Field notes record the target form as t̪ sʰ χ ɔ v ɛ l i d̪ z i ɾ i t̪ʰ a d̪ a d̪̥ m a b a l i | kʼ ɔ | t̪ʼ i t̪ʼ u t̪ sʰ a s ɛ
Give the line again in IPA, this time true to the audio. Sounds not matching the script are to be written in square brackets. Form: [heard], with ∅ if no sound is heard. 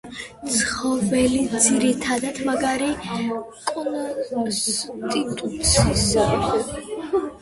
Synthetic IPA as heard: t̪ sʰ χ ɔ v ɛ l i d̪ z i ɾ i t̪ʰ a d̪ a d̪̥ m a [ɡ] a [ɾ] i | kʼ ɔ | t̪ʼ i t̪ʼ u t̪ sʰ [i] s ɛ